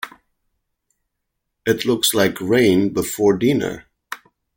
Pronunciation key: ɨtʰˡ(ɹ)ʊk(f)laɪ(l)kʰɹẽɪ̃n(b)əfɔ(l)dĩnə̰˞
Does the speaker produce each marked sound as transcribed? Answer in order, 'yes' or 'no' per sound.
no, no, no, yes, no

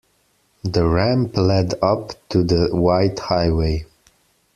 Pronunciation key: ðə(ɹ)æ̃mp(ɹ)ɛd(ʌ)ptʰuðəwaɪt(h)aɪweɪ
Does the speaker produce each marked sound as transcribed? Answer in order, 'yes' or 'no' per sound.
yes, no, yes, yes

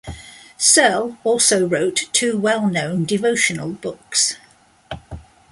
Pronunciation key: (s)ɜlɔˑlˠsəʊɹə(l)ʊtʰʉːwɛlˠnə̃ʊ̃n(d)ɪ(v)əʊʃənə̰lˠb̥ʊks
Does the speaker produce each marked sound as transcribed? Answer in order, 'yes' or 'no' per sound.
yes, no, yes, yes

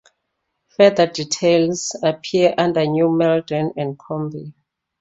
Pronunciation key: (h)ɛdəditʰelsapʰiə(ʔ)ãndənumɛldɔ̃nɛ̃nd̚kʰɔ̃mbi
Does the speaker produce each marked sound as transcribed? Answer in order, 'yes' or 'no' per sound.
no, yes

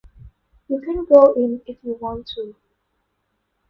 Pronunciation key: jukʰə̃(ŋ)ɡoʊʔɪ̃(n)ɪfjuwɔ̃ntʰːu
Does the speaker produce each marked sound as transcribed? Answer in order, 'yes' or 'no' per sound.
no, yes

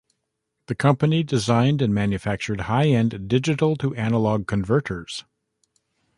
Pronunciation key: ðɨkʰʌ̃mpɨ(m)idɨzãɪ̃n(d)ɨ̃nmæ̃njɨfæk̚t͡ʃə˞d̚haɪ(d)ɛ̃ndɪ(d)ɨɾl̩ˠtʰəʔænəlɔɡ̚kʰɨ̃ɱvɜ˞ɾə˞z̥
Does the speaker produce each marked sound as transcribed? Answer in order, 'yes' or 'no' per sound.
no, yes, no, no

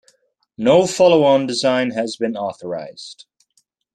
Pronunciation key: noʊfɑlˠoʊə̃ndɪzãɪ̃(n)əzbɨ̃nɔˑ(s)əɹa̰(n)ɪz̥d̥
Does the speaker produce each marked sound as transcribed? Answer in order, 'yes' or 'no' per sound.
yes, no, no

